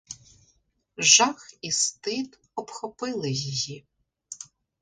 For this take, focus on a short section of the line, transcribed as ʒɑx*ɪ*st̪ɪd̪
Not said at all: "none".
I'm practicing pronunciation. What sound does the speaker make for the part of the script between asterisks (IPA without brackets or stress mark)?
i